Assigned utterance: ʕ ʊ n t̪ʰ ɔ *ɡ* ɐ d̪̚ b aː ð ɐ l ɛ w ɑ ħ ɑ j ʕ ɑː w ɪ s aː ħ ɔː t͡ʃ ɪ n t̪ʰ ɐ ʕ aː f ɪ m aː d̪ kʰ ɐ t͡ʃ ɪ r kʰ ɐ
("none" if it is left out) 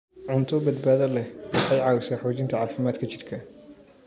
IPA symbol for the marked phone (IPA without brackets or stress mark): b